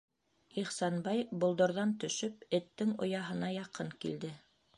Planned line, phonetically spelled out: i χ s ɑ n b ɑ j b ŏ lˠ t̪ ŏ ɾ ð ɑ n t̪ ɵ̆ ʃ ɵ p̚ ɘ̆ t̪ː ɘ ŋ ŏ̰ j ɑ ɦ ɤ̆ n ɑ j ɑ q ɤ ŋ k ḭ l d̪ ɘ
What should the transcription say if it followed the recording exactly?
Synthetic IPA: i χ s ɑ n b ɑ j b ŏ lˠ d̪ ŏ ɾ ð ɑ n t̪ ɵ̆ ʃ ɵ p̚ ɘ̆ t̪ː ɘ ŋ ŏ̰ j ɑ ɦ ɤ̆ n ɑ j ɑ q ɤ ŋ k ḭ l d̪ ɘ